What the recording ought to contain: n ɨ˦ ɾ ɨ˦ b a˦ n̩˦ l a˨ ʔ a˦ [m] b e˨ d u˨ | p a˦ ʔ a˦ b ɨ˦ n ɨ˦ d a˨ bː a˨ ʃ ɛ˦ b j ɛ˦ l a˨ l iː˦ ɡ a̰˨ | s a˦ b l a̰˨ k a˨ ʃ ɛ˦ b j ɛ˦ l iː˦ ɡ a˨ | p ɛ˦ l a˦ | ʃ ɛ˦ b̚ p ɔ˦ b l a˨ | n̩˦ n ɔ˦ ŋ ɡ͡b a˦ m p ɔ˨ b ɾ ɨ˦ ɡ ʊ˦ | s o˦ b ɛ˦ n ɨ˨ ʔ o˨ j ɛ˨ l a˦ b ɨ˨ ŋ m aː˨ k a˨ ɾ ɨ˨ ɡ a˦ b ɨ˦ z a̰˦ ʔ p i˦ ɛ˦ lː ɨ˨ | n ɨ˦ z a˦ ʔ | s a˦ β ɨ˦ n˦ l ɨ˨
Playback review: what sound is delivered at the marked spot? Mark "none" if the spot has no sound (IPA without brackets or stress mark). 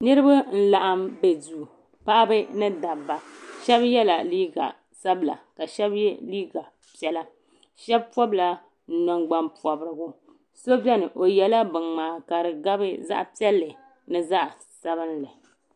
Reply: m